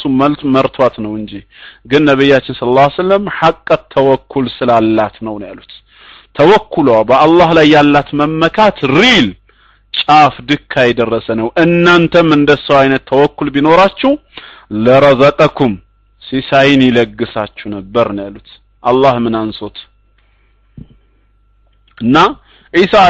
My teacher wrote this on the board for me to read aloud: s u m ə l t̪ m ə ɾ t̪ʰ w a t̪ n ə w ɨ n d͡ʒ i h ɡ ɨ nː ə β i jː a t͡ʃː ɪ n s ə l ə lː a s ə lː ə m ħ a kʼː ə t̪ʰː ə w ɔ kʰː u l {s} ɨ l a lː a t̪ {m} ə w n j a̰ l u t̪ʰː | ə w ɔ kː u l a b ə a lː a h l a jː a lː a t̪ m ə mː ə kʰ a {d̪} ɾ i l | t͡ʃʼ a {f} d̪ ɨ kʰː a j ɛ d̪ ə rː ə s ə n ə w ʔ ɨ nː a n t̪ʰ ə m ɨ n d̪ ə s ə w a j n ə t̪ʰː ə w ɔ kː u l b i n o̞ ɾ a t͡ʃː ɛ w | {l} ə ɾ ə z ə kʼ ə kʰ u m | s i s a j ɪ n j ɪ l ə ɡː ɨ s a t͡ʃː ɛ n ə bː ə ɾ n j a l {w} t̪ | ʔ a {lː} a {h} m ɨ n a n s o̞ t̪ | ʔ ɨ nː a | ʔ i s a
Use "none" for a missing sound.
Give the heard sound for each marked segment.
s, n, t̪, f, l, u, lː, h

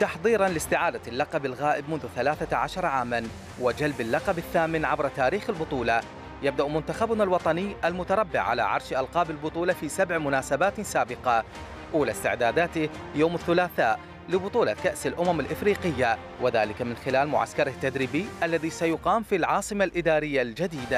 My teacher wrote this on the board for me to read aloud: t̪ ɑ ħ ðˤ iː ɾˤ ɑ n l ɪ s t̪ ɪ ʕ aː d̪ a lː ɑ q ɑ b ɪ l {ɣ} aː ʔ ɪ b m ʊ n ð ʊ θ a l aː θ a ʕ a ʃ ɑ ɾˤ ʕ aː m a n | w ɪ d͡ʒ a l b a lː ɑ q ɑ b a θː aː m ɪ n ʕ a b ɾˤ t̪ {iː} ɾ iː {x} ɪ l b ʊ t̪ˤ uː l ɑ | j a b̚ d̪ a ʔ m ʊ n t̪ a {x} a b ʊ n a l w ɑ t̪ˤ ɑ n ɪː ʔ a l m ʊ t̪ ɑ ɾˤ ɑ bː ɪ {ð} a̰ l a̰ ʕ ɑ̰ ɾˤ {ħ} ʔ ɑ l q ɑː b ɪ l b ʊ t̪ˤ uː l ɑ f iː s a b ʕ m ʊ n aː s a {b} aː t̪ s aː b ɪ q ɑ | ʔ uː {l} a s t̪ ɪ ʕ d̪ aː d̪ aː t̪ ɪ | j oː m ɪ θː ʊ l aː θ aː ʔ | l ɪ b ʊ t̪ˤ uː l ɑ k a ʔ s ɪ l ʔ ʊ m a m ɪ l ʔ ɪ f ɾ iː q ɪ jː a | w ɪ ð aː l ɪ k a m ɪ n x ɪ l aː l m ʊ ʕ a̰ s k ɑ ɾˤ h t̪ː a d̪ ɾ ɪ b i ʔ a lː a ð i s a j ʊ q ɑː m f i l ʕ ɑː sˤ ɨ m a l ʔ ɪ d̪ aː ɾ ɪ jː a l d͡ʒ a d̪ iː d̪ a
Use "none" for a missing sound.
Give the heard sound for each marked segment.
ɣ, aː, x, x, ʕ, ʃ, b, l

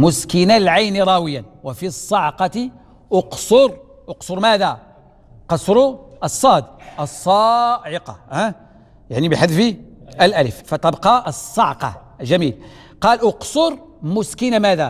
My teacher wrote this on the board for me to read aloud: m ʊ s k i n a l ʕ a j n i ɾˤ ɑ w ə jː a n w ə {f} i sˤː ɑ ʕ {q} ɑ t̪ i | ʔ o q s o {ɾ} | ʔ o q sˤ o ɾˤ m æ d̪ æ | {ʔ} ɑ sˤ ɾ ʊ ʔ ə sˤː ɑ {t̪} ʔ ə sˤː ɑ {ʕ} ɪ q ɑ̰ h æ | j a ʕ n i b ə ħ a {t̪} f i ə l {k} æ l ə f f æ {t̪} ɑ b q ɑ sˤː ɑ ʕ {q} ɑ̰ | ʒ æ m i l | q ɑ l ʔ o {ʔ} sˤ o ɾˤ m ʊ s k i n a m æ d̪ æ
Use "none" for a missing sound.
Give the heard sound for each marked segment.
f, q, ɾ, q, d̪, ʕ, d̪, ʔ, t̪, q, q

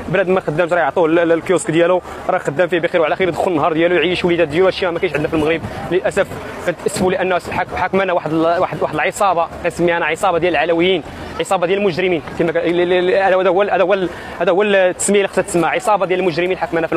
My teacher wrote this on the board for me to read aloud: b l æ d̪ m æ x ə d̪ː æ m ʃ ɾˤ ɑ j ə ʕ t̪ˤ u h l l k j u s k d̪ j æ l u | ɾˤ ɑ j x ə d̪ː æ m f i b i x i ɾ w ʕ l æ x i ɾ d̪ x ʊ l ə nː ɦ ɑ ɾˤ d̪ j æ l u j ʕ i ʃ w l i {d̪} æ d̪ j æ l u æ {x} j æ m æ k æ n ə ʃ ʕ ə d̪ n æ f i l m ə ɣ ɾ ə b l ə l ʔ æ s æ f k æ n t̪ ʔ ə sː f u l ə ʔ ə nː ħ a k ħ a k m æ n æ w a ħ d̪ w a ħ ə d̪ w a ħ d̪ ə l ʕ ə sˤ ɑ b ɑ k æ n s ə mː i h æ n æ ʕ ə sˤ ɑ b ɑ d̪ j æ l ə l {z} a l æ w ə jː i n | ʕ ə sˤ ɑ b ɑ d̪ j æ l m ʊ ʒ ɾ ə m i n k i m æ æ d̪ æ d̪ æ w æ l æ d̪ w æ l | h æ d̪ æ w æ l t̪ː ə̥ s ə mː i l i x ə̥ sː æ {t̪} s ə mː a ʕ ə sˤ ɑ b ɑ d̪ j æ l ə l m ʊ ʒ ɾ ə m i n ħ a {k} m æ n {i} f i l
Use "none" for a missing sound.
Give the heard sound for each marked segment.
d̪, ʃ, ʕ, t̪, k, æ

